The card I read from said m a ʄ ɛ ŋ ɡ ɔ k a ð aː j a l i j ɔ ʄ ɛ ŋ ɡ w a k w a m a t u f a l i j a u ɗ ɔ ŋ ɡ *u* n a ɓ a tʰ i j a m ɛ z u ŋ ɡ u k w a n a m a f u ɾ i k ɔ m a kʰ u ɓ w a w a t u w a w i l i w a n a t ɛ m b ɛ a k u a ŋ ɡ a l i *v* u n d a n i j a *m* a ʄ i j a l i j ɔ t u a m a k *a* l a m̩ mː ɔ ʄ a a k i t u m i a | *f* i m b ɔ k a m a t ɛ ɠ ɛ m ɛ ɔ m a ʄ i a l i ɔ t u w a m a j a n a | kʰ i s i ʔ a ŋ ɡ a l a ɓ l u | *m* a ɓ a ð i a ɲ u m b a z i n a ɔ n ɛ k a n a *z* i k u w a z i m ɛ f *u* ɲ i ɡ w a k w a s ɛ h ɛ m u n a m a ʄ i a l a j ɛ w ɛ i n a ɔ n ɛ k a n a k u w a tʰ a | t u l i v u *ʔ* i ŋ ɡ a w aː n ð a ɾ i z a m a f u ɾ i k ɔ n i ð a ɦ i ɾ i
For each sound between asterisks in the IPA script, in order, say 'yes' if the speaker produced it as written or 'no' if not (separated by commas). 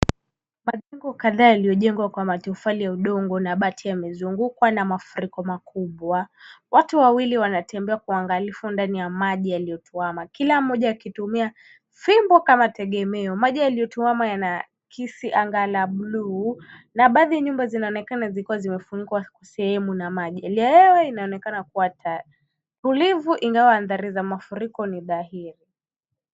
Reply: no, no, yes, no, yes, no, yes, yes, yes